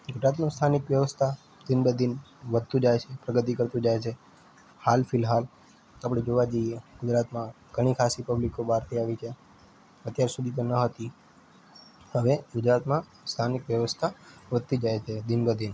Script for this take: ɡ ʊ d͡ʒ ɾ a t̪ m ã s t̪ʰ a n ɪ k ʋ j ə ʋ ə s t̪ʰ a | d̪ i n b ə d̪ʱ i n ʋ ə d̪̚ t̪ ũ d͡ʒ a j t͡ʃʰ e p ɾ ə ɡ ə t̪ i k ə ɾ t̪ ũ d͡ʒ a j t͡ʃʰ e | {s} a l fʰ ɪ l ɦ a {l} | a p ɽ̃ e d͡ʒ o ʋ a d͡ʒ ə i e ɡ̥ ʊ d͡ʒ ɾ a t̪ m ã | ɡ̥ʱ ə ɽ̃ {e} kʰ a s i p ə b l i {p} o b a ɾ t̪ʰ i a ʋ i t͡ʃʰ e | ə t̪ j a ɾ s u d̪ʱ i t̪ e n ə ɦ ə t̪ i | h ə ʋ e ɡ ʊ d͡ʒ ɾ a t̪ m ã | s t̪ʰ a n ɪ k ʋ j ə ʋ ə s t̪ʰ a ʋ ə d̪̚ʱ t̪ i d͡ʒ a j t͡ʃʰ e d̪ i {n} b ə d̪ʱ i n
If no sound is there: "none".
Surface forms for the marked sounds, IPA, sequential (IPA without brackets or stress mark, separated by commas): h, l, i, k, n